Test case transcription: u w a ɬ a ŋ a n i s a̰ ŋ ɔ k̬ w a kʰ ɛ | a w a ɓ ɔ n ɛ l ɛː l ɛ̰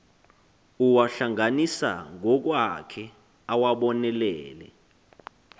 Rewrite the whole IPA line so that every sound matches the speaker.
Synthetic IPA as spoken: u w a ɬ a ŋ a n i s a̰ ŋ ɔ k̬ w a kʰ ɛ | a w a ɓ ɔ n ɛ l ɛː l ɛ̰